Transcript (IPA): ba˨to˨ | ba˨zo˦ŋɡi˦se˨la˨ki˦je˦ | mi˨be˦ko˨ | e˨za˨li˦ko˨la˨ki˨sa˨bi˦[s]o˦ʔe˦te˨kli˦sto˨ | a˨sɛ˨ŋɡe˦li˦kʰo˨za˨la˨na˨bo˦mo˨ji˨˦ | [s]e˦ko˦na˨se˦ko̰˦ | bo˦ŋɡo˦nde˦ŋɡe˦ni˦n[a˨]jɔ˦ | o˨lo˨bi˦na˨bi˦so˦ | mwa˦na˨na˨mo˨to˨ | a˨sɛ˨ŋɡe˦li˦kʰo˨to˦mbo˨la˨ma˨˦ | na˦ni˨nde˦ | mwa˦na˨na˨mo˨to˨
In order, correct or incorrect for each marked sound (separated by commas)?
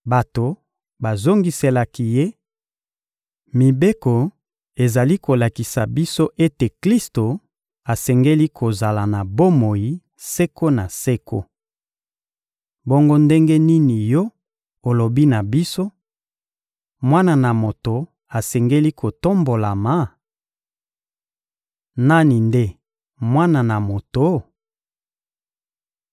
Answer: correct, correct, incorrect